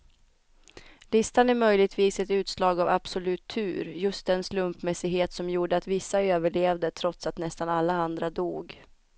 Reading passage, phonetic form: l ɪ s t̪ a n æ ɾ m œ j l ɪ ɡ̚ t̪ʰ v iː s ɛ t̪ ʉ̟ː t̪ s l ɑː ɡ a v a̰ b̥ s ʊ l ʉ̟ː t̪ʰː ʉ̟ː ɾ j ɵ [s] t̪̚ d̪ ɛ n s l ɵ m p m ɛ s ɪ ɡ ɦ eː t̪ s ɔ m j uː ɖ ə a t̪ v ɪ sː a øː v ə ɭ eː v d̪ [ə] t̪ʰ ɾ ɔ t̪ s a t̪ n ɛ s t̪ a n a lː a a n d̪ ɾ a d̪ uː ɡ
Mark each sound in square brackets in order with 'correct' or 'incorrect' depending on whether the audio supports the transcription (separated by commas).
correct, correct